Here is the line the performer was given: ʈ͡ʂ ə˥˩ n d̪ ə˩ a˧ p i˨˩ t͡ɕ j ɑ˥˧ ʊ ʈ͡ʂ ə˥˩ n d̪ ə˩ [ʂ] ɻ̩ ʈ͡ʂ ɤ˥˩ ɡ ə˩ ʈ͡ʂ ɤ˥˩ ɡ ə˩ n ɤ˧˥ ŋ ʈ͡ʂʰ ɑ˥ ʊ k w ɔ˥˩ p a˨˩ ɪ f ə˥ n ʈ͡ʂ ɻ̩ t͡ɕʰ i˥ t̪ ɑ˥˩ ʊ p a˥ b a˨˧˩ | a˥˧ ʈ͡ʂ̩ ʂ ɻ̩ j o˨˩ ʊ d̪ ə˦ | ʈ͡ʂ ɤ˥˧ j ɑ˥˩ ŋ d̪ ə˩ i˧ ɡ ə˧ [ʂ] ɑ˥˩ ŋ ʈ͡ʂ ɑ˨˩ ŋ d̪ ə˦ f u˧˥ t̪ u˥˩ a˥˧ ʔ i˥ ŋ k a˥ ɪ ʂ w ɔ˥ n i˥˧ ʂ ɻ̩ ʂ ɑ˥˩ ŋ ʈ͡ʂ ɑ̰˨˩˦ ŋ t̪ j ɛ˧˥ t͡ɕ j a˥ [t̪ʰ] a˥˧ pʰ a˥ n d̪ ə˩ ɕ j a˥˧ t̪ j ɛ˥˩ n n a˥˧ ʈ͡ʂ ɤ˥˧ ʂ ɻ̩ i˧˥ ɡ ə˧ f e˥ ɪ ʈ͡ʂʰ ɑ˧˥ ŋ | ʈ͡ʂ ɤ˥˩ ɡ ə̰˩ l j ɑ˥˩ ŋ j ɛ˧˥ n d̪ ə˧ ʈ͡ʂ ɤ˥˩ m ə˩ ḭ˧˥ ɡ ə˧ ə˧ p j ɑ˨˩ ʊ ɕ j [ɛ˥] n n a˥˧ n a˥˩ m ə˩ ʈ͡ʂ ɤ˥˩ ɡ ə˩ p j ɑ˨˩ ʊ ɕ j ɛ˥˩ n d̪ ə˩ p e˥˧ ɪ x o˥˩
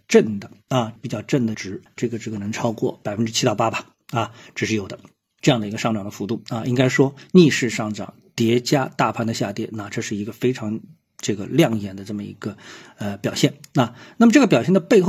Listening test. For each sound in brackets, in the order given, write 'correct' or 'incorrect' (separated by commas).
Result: incorrect, correct, incorrect, incorrect